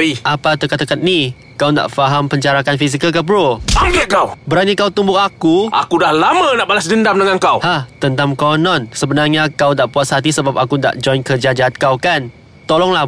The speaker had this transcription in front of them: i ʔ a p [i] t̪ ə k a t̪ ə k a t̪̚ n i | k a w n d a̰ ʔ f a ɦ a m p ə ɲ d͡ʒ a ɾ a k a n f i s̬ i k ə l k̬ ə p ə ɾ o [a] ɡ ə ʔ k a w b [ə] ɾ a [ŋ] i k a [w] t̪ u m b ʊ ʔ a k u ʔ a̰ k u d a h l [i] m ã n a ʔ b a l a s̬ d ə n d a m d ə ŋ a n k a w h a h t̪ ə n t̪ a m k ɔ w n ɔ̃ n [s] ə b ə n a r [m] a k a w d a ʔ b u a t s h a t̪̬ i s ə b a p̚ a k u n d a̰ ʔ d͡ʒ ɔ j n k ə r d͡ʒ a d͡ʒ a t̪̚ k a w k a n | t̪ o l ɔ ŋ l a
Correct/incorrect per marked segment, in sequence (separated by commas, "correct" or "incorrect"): incorrect, correct, correct, incorrect, correct, incorrect, correct, incorrect